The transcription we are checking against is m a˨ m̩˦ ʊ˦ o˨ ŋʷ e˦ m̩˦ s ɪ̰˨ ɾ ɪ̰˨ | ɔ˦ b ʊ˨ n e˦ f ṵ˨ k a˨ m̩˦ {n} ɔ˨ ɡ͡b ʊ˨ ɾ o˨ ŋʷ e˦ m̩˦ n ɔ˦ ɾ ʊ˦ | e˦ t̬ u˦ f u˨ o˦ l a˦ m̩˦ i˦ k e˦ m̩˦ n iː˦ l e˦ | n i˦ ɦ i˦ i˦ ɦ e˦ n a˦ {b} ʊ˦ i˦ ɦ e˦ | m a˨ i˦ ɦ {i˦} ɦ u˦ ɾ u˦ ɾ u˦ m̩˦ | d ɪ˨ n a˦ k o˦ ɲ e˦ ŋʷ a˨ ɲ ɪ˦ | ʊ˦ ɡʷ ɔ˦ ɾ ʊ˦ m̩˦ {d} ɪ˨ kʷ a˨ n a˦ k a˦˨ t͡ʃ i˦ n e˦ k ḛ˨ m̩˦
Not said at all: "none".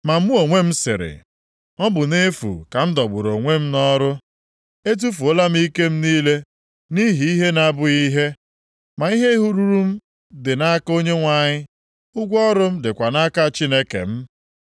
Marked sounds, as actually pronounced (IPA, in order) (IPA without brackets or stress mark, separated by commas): d, b, e˦, d